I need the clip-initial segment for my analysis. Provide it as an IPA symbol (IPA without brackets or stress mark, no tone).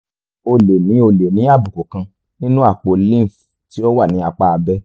o